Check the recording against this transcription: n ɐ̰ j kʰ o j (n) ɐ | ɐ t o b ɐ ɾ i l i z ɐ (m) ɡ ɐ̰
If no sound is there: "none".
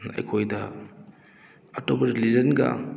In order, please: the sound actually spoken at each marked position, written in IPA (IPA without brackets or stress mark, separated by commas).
d, n